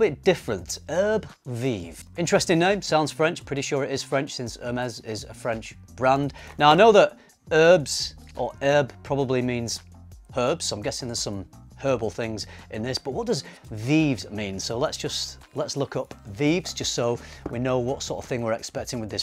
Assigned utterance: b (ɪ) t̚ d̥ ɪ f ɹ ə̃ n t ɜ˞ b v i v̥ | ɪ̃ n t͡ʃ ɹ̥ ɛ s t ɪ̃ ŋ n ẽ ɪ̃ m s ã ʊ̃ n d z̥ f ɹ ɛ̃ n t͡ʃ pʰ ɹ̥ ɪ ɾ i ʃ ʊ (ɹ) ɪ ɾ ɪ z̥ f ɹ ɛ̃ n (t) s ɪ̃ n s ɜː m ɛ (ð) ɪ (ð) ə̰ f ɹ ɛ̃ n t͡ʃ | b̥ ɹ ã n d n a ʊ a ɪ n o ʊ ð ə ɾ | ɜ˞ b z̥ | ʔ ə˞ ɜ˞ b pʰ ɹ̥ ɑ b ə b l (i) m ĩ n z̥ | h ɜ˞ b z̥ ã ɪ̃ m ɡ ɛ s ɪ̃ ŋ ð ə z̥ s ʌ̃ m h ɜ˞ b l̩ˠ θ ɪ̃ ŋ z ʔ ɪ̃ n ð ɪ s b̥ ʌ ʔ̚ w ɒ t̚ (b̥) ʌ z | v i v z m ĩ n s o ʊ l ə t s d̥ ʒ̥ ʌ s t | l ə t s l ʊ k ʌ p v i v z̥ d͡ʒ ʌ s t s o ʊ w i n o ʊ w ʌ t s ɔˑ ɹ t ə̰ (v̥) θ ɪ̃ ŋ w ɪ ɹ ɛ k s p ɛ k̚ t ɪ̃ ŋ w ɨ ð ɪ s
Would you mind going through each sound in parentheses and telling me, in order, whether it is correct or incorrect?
correct, correct, incorrect: t͡ʃ, incorrect: z, incorrect: z, correct, incorrect: d̥, correct

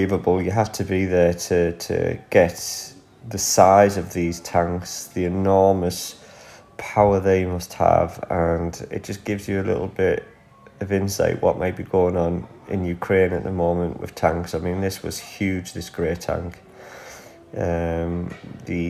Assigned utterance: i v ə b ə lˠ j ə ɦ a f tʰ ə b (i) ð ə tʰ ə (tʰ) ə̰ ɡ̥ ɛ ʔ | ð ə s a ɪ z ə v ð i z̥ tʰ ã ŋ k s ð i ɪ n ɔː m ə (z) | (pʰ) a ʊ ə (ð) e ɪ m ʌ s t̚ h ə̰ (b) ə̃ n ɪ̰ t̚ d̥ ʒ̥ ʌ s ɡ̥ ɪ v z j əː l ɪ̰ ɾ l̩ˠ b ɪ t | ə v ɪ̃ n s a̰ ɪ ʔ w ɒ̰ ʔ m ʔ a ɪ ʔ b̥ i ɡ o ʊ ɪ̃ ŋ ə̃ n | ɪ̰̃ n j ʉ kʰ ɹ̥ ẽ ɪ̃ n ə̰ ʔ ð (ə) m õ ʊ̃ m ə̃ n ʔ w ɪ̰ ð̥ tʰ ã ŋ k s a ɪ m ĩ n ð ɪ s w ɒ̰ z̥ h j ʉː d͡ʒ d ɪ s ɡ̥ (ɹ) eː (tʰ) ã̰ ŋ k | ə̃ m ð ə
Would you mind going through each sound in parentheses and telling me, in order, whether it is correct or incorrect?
correct, correct, incorrect: s, correct, correct, incorrect: v, correct, correct, correct

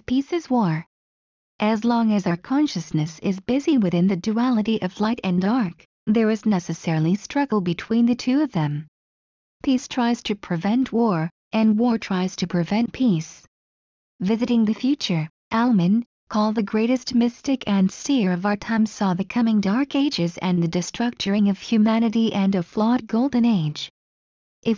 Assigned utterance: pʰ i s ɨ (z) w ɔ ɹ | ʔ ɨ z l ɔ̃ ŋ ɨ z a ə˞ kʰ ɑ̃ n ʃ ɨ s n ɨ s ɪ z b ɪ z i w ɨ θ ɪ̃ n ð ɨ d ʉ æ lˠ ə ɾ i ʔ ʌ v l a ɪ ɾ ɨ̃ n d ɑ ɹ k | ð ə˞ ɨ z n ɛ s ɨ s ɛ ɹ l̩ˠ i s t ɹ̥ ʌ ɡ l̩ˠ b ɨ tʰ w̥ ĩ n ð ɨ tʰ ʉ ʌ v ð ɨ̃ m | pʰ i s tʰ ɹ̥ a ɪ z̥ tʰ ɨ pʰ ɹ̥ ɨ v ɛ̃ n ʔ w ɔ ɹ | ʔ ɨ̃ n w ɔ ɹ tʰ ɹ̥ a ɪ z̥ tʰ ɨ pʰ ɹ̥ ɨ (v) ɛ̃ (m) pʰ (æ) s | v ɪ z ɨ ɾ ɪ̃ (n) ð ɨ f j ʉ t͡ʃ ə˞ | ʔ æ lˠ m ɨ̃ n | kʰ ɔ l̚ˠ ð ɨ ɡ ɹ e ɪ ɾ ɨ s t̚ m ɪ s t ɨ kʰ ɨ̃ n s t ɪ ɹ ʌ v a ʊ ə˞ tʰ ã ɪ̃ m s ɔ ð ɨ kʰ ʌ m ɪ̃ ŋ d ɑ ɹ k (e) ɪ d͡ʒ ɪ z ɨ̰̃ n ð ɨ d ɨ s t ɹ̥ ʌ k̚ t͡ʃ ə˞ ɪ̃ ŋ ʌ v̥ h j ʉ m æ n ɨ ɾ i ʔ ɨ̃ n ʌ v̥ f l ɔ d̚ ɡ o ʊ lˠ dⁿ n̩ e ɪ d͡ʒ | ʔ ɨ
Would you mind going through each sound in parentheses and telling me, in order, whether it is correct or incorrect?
correct, correct, incorrect: n, incorrect: i, incorrect: ŋ, correct

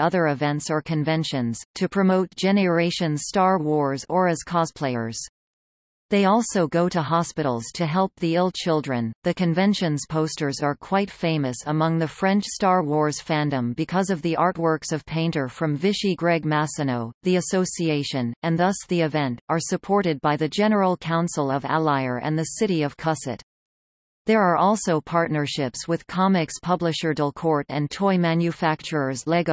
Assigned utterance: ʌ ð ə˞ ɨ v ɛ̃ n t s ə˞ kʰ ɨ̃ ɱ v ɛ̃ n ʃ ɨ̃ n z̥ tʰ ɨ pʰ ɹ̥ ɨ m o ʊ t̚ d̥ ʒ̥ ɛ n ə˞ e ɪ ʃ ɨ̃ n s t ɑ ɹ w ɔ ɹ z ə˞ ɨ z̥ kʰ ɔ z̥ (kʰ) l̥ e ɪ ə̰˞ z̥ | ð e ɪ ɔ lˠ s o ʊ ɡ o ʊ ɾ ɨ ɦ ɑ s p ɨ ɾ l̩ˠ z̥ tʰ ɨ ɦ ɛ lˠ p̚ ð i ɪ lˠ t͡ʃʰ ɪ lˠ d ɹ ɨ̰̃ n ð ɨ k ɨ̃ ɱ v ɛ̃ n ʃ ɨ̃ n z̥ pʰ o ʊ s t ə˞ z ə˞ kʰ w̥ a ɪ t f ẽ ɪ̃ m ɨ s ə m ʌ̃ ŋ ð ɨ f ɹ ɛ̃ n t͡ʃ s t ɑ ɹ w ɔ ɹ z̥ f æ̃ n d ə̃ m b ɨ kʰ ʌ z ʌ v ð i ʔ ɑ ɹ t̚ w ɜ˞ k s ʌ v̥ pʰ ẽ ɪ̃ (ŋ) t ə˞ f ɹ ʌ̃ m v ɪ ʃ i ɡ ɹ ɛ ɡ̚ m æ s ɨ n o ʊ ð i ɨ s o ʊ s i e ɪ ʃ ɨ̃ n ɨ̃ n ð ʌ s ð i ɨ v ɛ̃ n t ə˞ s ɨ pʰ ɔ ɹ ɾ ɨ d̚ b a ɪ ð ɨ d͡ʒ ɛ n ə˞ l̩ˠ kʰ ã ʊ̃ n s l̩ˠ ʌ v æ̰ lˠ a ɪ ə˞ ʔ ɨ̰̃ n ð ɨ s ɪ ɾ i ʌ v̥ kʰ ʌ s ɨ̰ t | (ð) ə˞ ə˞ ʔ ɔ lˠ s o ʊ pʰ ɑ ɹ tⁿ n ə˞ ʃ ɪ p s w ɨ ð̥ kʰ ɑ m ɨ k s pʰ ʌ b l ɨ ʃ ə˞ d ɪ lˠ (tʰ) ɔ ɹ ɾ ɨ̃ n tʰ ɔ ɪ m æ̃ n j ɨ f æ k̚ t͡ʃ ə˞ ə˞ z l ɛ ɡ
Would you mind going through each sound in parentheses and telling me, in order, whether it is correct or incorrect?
incorrect: pʰ, incorrect: n, correct, incorrect: kʰ

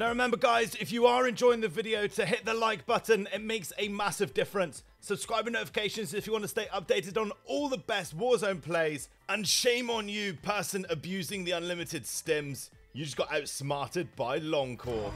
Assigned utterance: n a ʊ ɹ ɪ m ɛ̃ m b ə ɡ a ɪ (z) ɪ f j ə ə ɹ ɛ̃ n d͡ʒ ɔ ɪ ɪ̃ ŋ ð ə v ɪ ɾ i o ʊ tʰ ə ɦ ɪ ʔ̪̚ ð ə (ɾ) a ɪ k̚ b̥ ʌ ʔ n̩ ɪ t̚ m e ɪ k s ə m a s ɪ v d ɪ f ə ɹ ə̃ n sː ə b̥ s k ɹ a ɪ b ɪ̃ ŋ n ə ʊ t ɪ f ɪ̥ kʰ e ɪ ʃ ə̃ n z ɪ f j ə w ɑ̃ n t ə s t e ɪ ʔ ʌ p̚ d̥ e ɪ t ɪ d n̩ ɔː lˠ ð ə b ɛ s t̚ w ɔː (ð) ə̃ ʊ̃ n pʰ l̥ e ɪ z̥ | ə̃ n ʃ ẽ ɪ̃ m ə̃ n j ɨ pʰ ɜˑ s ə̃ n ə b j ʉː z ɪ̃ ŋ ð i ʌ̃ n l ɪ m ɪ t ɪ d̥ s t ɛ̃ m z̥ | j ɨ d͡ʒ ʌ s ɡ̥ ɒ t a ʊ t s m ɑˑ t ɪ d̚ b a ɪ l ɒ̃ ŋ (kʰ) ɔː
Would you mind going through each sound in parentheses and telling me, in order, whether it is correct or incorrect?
correct, incorrect: l, incorrect: z, correct

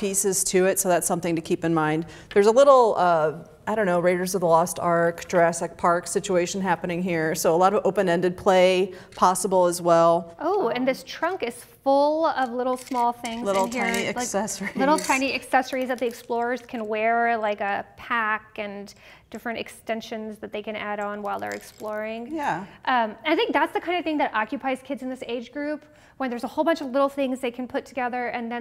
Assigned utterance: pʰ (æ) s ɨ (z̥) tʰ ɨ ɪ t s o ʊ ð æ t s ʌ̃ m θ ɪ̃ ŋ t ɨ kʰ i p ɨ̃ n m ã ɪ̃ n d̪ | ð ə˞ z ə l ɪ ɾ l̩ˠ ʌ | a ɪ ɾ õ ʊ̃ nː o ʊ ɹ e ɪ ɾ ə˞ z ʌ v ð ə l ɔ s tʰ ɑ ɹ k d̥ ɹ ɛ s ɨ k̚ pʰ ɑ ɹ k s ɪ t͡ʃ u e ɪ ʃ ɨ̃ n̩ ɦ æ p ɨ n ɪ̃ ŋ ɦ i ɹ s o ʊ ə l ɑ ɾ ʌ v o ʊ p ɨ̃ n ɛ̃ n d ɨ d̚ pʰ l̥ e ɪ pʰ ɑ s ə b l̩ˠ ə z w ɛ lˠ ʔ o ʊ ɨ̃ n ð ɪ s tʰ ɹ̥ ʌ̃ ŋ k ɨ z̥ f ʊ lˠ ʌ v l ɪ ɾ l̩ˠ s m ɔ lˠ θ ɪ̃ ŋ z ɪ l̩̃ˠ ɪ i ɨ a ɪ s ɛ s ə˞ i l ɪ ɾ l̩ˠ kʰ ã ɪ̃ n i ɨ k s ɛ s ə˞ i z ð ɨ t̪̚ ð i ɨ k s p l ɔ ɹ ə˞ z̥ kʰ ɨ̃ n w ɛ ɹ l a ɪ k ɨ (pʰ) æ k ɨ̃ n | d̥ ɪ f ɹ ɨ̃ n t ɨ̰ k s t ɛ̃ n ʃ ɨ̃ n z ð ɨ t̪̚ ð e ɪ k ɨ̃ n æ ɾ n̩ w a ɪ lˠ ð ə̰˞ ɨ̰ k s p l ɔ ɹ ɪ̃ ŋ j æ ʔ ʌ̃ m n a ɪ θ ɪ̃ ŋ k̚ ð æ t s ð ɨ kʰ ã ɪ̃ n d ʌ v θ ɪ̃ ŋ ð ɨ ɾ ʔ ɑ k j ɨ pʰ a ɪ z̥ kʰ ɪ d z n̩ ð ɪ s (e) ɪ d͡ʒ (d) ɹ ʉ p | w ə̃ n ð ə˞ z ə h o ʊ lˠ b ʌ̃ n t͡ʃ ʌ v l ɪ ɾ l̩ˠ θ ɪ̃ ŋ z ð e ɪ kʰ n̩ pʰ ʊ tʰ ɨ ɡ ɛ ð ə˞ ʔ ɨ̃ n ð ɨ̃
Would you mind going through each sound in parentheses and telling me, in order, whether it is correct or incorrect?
incorrect: i, correct, correct, correct, incorrect: ɡ

